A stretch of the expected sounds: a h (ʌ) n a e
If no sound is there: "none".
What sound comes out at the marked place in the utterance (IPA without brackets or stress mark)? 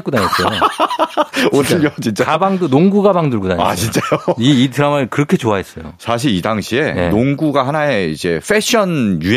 a